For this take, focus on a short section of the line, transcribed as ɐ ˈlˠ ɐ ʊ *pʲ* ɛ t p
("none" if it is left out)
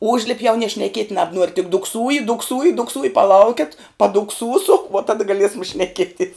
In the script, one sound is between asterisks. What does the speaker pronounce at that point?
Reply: kʲ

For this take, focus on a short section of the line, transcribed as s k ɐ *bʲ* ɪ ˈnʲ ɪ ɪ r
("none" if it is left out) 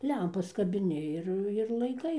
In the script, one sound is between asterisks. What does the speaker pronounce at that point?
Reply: bʲ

